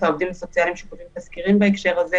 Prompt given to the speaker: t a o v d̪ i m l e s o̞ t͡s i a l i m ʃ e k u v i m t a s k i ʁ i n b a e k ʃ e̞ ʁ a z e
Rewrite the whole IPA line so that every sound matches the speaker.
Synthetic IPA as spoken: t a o v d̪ i m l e s o̞ t͡s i a l i m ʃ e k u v i m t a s k i ʁ i m b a e k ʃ e̞ ʁ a z e